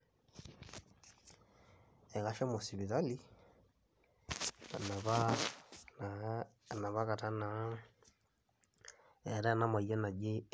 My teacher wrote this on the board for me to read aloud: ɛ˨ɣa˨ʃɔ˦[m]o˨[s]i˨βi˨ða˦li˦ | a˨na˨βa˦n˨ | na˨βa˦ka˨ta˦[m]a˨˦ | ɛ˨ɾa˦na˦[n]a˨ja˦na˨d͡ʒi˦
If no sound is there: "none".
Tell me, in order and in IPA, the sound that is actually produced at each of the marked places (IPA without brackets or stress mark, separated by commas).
m, s, n, m